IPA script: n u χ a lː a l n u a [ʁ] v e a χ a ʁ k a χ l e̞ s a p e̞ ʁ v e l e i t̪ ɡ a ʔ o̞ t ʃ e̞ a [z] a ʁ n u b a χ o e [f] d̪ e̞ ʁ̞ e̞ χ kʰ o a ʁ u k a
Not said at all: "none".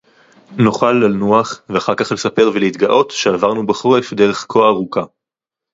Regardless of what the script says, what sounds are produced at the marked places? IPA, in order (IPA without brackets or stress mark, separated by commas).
χ, v, f